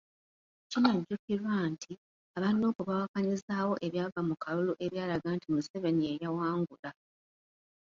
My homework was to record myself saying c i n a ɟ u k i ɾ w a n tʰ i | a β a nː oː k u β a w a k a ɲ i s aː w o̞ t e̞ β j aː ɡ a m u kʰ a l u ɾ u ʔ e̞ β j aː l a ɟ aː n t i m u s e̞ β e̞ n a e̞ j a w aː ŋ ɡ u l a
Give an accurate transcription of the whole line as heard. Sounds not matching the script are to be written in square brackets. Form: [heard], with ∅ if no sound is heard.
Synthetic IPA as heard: c i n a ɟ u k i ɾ w a n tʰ i | a β a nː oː k u β a w a k a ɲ i [z] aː w o̞ [ʔ] e̞ β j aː ɡ a m u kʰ a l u [l] u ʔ e̞ β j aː l a [ɡ] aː n t i m u s e̞ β e̞ n [i] e̞ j a w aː ŋ ɡ u l a